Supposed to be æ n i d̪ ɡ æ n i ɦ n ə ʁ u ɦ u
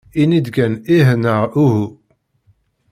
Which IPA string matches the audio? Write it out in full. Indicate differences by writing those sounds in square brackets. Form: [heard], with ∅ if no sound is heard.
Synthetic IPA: [i] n i d̪ ɡ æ n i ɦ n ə ʁ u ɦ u